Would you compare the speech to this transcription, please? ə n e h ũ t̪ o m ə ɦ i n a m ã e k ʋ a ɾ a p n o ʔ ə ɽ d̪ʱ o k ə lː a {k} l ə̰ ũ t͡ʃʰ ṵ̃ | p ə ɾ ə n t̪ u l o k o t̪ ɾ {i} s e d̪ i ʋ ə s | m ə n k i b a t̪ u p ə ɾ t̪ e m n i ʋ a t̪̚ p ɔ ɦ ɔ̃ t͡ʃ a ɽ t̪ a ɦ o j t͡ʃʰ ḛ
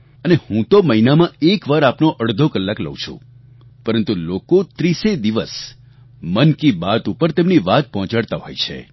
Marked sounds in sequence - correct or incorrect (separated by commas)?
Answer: correct, correct